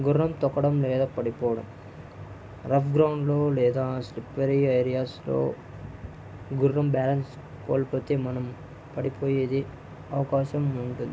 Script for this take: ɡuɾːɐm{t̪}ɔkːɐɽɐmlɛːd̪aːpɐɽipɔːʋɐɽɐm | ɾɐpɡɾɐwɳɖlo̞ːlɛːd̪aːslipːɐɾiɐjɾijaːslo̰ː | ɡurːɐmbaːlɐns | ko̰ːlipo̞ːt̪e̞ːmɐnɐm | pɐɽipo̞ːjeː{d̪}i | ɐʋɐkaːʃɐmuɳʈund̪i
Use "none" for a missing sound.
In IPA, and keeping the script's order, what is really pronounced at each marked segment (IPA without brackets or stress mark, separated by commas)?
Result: t̪, d̪